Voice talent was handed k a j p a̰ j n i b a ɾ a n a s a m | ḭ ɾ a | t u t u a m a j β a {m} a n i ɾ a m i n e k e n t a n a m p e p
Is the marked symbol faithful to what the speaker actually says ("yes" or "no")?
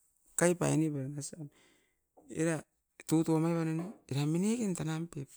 no